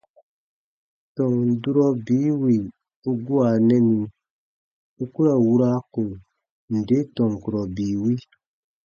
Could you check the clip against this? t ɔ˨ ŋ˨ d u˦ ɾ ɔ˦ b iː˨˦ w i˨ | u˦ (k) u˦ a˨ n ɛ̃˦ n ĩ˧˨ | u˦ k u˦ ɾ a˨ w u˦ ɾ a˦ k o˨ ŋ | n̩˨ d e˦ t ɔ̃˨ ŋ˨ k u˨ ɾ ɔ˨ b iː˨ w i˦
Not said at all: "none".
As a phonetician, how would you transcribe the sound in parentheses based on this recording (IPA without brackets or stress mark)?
ɡ